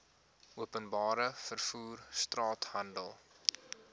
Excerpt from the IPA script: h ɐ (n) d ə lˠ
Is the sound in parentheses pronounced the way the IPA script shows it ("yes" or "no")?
yes